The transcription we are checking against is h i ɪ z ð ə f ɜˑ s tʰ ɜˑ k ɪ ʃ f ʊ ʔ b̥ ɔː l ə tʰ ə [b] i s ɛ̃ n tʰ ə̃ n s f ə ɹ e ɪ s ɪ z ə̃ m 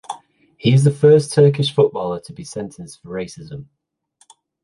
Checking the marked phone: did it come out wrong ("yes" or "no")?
no